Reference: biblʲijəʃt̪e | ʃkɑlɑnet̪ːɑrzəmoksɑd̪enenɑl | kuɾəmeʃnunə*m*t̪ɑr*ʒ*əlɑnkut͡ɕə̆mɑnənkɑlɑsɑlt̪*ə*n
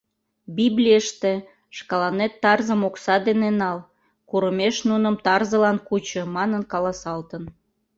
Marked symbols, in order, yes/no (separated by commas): yes, no, yes